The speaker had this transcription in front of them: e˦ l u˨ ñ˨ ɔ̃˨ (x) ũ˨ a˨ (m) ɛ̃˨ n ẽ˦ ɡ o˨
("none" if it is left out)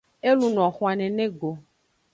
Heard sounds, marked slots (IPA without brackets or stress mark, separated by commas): x, n